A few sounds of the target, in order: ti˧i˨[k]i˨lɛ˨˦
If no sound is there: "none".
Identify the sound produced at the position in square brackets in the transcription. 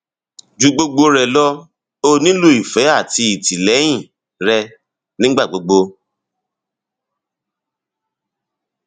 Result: t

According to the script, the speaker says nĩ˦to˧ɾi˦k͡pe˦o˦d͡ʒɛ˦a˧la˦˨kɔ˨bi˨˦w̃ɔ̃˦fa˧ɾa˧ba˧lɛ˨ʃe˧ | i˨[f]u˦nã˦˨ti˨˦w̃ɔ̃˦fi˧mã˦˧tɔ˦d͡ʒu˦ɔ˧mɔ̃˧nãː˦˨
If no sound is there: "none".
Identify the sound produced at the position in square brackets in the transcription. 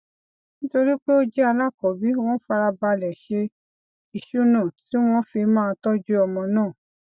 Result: ʃ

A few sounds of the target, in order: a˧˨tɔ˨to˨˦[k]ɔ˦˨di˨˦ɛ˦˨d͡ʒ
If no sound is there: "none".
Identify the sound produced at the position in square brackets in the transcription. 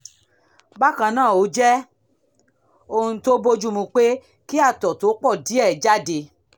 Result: k͡p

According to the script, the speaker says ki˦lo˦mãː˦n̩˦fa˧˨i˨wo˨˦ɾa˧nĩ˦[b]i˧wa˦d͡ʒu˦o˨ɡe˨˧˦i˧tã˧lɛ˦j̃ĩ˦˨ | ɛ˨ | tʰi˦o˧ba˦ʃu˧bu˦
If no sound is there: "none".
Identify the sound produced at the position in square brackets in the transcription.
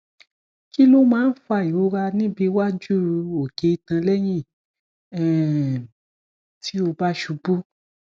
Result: b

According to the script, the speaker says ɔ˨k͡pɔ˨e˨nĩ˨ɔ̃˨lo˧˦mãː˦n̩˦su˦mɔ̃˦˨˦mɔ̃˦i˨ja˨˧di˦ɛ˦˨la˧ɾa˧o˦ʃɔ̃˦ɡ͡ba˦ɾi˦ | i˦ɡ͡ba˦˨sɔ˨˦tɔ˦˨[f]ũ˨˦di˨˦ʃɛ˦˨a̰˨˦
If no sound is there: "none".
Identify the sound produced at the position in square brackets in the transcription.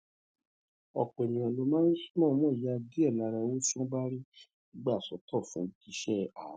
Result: f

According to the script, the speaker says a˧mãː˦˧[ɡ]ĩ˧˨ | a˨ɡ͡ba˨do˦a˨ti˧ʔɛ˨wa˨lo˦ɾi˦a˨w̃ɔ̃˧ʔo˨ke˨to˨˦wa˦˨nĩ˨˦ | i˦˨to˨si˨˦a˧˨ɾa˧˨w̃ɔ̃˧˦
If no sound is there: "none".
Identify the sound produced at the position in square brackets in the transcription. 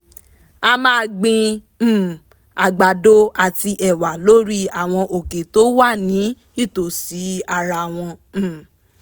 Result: ɡ͡b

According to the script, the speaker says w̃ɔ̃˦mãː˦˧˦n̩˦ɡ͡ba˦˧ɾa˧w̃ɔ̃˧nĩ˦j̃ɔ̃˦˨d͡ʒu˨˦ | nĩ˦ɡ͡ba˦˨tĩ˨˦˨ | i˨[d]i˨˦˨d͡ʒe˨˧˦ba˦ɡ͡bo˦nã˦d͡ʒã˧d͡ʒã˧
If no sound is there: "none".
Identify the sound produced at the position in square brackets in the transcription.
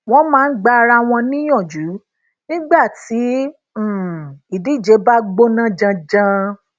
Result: d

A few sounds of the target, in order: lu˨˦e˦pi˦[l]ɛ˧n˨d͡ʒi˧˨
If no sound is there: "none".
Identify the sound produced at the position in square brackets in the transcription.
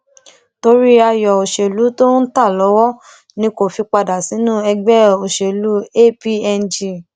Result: none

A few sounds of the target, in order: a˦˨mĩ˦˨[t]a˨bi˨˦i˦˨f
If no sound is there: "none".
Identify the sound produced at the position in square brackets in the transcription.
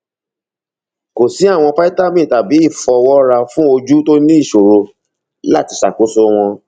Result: t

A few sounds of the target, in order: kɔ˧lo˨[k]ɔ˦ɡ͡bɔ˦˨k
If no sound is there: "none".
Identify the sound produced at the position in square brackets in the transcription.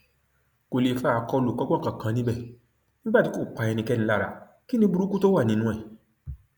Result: k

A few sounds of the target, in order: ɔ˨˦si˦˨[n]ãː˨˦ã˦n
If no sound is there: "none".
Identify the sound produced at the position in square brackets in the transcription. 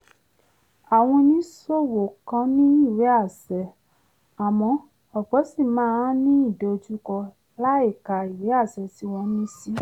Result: m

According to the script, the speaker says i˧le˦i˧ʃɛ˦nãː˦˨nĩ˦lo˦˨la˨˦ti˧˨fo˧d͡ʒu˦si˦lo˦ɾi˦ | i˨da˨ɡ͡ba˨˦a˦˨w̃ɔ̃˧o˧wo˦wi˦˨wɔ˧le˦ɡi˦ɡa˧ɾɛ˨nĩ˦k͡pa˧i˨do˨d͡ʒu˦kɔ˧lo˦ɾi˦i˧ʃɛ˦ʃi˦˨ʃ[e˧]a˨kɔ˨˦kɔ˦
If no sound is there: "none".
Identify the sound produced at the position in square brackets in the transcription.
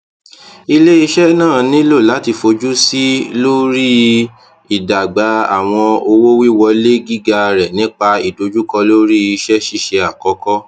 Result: e˧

